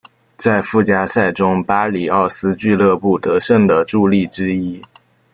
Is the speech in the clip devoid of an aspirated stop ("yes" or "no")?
yes